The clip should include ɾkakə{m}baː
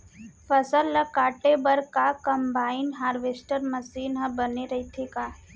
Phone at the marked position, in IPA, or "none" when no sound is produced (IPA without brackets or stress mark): m